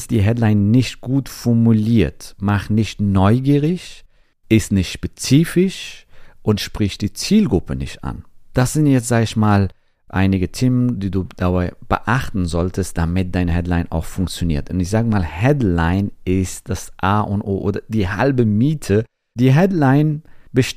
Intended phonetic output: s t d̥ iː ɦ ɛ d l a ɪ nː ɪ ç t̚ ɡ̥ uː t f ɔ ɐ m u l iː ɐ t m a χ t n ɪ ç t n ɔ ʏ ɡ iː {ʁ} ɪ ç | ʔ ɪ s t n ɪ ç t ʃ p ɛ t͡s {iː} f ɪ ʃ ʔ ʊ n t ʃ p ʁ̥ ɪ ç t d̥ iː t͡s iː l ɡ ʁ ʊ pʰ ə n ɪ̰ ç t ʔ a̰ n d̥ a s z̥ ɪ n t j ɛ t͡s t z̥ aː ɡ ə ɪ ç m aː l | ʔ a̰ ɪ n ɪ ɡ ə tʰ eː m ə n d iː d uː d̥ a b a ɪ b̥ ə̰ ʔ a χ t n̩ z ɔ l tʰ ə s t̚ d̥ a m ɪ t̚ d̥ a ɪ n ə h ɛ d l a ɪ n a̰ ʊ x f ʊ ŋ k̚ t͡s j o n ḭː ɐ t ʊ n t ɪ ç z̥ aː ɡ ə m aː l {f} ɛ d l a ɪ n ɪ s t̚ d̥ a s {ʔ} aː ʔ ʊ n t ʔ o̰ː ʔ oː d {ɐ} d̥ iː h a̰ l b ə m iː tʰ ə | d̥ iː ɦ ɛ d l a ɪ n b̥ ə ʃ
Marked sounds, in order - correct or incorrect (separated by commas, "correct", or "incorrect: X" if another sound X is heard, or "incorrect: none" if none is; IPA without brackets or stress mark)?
correct, correct, incorrect: h, correct, correct